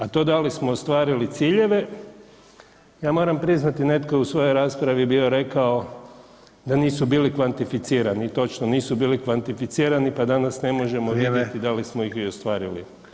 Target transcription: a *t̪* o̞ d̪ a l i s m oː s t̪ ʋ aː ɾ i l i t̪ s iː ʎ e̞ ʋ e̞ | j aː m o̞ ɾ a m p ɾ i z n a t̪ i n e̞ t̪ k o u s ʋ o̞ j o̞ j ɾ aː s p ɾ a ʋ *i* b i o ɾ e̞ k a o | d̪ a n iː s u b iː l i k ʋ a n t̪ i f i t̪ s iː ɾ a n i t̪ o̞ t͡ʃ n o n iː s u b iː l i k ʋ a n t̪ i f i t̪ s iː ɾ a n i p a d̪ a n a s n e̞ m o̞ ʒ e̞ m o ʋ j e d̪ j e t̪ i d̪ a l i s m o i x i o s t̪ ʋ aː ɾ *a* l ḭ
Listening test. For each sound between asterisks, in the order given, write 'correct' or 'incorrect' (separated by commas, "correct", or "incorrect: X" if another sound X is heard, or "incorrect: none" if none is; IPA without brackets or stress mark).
correct, correct, incorrect: i